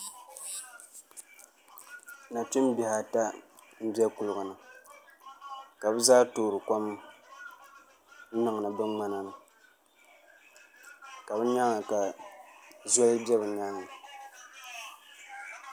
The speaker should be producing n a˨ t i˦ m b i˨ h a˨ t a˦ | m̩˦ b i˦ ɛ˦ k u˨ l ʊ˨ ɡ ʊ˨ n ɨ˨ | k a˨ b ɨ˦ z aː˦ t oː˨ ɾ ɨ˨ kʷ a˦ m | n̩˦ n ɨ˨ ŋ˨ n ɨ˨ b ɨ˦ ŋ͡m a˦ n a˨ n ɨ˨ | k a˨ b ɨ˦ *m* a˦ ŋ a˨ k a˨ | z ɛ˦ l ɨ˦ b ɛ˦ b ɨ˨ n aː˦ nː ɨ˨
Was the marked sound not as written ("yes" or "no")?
yes